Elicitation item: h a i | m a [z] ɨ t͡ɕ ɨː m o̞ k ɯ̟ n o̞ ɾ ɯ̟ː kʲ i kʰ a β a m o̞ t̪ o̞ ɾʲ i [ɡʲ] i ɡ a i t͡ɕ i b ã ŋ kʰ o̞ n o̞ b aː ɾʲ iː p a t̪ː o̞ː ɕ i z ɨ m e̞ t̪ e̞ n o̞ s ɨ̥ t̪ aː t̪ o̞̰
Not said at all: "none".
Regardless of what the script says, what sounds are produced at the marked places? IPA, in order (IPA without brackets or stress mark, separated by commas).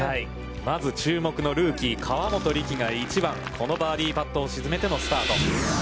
z, kʲ